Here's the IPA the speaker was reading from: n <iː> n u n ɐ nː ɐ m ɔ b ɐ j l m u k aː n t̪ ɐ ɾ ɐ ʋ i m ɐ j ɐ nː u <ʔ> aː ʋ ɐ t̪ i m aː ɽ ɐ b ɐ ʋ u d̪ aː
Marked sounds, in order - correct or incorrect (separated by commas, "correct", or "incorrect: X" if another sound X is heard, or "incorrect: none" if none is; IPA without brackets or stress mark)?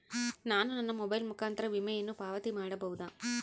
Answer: incorrect: aː, incorrect: p